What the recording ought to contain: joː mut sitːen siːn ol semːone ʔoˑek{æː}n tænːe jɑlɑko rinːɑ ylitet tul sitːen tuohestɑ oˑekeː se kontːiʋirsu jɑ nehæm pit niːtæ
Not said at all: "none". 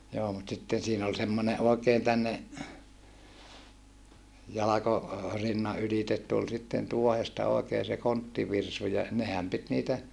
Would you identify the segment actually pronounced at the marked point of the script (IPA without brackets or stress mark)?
eː